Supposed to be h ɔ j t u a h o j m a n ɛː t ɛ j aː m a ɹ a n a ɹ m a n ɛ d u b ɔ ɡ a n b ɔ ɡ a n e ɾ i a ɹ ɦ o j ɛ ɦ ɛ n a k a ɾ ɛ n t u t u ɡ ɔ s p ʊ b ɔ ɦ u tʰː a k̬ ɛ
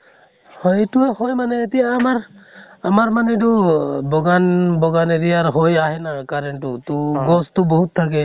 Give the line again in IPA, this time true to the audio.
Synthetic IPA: h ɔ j t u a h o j m a n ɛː t i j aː m a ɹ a m a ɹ m a n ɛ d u b ɔ ɡ a n b ɔ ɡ a n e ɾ i a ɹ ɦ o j a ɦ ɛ n a k a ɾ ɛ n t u t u ɡ ɔ s t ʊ b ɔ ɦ u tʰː a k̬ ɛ